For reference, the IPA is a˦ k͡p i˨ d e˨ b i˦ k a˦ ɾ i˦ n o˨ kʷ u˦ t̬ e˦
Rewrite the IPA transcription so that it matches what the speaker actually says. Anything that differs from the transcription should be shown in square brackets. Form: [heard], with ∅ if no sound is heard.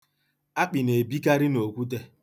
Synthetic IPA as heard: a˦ k͡p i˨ [n] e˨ b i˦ k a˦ ɾ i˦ n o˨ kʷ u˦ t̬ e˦

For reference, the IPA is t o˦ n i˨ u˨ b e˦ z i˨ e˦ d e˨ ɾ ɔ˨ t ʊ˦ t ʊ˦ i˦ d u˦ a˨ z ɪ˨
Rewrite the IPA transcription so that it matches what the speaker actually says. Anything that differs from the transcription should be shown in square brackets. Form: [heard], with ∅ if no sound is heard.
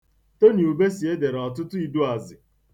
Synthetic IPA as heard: t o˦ n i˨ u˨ b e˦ [s] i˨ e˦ d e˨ ɾ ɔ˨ t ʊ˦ t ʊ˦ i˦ d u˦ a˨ z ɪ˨

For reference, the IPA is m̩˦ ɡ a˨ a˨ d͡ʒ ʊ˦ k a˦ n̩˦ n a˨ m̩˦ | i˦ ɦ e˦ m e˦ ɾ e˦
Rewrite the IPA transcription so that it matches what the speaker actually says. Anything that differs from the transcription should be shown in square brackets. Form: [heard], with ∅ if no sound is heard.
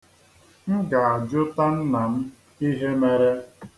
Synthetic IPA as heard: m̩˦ ɡ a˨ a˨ d͡ʒ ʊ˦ [t] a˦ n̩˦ n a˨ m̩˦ | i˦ ɦ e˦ m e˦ ɾ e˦

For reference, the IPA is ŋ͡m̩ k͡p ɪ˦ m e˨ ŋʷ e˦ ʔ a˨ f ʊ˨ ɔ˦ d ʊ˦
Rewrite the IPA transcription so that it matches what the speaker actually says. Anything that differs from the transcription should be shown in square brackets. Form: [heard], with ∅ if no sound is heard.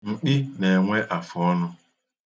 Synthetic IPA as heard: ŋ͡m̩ k͡p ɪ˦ [n] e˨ ŋʷ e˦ ʔ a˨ f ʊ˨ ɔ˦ [n] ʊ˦

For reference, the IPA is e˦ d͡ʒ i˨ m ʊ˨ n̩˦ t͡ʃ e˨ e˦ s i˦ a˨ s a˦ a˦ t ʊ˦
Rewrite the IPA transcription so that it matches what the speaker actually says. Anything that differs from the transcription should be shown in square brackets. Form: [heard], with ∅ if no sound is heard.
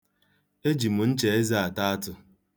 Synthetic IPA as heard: e˦ d͡ʒ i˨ m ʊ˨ n̩˦ t͡ʃ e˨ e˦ [z] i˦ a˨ [t] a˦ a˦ t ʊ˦

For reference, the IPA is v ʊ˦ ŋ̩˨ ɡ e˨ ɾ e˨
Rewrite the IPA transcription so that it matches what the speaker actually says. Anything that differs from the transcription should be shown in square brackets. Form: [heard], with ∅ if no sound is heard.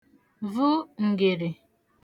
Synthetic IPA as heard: v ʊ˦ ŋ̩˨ ɡ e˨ ɾ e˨

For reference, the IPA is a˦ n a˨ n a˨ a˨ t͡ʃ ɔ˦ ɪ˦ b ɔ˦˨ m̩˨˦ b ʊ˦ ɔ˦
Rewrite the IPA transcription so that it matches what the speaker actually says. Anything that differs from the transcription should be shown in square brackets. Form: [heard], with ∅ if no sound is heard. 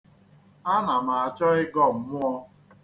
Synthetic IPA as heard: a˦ n a˨ [m] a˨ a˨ t͡ʃ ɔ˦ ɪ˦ [ɡ] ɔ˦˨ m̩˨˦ [m] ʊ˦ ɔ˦

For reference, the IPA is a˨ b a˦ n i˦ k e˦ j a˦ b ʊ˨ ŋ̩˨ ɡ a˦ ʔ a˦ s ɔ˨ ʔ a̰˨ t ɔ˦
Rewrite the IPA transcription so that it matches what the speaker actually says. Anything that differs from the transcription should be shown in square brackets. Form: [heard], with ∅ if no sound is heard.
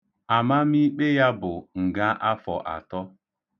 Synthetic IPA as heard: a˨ [m] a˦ [m] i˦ [k͡p] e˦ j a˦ b ʊ˨ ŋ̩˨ ɡ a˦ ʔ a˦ [f] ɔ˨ ʔ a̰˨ t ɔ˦

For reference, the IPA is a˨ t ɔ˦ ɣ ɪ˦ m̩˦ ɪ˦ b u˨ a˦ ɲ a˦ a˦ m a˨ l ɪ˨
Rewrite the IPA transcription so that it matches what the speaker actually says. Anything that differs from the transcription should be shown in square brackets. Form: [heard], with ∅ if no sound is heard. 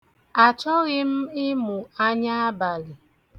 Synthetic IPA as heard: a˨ [t͡ʃ] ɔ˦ ɣ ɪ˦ m̩˦ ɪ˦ [m] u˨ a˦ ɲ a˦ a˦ [b] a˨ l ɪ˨

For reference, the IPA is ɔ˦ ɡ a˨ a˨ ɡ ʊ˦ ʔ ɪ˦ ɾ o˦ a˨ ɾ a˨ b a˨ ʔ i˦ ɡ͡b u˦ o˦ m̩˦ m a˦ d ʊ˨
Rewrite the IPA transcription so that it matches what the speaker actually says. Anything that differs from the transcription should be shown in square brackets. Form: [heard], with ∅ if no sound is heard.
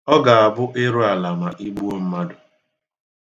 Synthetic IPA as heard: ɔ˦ ɡ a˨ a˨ [b] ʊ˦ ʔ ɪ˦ ɾ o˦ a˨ [l] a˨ [m] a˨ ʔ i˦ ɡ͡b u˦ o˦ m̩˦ m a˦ d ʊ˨

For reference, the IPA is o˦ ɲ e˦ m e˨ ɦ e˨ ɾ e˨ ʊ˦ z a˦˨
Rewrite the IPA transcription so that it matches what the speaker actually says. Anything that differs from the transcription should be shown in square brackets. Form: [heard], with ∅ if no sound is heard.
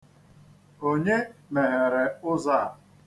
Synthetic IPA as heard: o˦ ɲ e˦ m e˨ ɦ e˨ ɾ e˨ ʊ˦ z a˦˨

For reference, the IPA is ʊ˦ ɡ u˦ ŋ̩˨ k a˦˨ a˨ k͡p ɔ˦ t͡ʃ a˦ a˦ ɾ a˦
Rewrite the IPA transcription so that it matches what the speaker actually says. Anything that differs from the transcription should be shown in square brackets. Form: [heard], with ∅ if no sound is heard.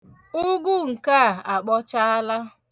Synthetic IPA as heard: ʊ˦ ɡ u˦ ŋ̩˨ k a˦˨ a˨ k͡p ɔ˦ t͡ʃ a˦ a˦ [l] a˦

